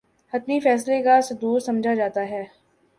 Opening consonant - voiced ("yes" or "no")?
no